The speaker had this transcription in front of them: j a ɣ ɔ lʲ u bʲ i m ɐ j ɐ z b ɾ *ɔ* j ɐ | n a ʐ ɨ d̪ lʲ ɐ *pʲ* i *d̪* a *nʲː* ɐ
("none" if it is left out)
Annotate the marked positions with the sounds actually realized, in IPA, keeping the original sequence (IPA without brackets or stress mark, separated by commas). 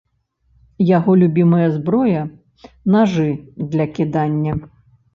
ɔ, kʲ, d̪, nʲː